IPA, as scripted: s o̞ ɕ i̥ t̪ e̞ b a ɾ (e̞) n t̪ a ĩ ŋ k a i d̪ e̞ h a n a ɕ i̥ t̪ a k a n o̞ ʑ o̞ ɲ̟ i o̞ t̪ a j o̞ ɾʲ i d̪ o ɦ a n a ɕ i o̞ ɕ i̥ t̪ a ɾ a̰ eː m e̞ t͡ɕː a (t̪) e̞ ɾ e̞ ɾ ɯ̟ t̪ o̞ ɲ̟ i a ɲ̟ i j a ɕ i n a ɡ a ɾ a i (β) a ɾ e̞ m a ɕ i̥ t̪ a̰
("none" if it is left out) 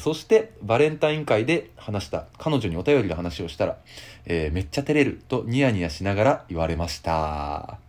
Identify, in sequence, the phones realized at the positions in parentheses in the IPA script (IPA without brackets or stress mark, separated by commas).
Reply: ẽ̞, t̪, β